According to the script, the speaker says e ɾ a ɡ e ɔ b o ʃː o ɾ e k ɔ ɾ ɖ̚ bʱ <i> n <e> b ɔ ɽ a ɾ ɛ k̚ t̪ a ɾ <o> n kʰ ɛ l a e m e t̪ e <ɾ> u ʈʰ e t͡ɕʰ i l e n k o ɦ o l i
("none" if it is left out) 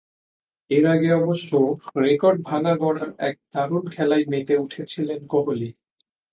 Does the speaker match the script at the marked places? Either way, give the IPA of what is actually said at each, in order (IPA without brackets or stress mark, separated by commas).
a, a, u, none